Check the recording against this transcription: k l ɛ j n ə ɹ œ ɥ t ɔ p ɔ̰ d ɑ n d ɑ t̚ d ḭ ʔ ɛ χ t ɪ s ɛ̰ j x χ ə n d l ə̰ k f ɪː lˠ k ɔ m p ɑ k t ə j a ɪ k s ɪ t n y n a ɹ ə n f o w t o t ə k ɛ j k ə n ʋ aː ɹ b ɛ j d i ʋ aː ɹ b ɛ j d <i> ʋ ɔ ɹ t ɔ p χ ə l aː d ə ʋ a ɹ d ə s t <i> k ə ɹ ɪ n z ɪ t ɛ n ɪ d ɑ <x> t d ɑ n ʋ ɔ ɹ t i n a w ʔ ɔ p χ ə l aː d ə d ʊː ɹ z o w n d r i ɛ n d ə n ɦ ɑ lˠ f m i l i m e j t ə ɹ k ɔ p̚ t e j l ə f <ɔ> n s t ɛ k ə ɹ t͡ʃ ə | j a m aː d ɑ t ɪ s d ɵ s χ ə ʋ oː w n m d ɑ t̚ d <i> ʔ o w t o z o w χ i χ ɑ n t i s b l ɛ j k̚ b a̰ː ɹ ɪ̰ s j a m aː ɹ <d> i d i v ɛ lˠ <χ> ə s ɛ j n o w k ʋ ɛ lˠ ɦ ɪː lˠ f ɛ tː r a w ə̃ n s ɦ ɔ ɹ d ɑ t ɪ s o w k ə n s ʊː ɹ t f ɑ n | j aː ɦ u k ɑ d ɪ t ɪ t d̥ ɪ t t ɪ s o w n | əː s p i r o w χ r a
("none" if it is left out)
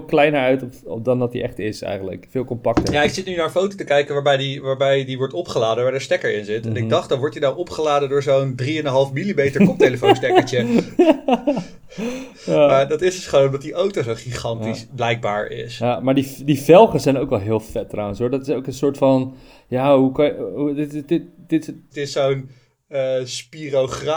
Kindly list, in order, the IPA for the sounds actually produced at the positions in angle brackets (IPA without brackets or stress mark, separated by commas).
i, ɛ, χ, o, i, d, χ